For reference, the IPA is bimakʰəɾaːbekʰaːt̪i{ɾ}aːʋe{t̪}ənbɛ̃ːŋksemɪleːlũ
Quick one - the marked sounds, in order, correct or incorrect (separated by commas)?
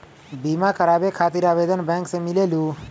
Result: correct, incorrect